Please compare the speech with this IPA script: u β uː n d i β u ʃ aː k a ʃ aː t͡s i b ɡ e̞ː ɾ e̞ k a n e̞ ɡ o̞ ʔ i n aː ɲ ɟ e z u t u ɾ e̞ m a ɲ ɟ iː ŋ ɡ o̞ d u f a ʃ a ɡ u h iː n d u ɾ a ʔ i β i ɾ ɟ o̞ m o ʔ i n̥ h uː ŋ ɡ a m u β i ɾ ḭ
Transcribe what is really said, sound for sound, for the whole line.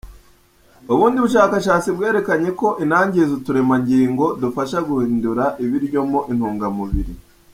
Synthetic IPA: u β uː n d i β u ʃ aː k a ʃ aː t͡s i b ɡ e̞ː ɾ e̞ k a ɲ e̞ k o̞ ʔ i n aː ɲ ɟ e z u t u ɾ e̞ m a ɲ ɟ iː ŋ ɡ o̞ d u f a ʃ a ɡ u h iː n d u ɾ a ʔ i β i ɾ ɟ o̞ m o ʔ i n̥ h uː ŋ ɡ a m u β i ɾ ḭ